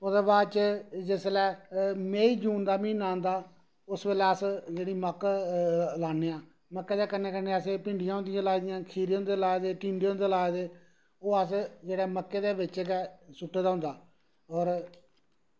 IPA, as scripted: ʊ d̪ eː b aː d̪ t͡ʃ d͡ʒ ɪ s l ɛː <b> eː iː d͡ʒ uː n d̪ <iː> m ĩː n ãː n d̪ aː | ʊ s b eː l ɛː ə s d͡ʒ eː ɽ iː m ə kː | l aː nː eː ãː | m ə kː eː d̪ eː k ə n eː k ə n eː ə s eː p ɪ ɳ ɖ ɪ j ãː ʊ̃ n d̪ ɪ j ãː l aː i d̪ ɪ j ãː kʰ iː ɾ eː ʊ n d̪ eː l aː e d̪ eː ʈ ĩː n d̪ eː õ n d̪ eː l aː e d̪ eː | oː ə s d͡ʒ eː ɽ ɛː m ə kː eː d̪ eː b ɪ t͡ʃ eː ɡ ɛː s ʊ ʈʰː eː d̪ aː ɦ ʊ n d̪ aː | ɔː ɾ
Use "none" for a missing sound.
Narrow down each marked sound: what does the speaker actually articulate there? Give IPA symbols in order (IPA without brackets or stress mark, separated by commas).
m, aː